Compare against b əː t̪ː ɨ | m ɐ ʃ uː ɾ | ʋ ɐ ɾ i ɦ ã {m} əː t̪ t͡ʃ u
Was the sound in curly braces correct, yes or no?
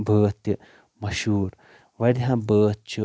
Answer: no